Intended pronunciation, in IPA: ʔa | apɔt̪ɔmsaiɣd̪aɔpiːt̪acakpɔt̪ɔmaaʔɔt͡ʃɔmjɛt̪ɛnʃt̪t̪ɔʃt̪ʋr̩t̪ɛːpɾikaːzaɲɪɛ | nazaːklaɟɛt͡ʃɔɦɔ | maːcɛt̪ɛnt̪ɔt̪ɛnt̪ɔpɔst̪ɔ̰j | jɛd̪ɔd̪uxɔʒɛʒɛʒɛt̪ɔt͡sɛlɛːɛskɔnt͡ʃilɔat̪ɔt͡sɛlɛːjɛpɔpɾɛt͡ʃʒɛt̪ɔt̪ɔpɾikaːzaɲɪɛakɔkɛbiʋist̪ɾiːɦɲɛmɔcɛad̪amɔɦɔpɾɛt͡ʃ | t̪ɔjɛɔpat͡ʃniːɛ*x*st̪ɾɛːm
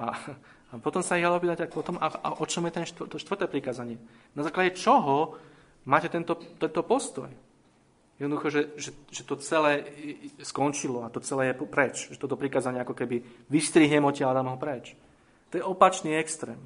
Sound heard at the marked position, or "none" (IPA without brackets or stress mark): k